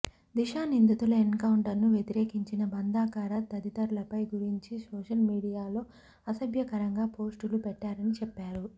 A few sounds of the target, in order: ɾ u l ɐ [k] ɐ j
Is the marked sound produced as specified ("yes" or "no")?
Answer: no